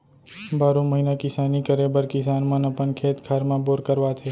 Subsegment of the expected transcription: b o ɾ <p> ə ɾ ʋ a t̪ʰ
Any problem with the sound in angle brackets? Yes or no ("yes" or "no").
yes